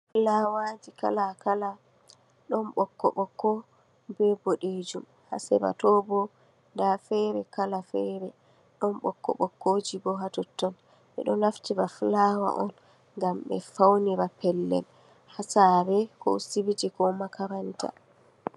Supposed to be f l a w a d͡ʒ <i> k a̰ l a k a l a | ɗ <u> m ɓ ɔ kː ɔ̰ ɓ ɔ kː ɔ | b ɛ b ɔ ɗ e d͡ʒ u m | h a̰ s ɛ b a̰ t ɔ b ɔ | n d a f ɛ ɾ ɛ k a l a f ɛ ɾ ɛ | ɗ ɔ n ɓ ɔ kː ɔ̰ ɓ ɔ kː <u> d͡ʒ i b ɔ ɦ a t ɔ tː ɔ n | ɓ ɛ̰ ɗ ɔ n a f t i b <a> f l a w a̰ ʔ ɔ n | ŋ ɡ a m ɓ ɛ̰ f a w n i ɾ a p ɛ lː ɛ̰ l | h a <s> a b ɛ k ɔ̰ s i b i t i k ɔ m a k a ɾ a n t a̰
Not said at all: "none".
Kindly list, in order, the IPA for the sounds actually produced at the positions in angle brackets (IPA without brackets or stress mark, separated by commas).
i, ɔ, o, a, s